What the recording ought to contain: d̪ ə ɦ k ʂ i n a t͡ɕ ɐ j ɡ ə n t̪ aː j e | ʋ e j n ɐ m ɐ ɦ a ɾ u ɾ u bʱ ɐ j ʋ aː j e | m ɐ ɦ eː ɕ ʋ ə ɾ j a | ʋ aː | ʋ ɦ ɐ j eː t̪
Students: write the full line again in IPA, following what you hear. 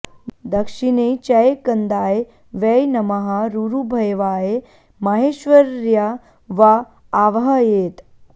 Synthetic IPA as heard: d̪ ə k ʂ i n e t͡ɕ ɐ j k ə n d̪ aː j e | ʋ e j n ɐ m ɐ ɦ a ɾ u ɾ u bʱ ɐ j ʋ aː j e | m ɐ ɦ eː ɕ ʋ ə ɾ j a | ʋ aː | ʋ ɦ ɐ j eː t̪